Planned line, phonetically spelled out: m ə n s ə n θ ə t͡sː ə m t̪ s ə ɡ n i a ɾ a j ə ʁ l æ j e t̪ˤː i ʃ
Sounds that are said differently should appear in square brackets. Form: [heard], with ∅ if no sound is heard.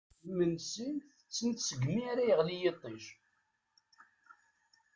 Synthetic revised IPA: m ə n s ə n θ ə t͡sː ə [n] t̪ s ə ɡ [m] i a ɾ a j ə ʁ l [i] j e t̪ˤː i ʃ